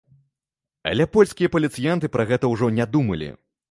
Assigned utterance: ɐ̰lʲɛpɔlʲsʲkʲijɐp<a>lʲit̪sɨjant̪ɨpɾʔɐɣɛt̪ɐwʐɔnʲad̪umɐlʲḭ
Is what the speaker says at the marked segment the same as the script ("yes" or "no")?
no